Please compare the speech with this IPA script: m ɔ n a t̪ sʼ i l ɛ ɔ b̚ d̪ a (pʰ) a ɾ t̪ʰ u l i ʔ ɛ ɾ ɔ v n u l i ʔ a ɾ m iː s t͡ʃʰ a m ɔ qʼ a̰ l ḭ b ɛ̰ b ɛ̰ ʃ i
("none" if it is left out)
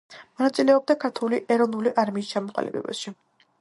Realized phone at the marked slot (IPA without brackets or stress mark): kʰ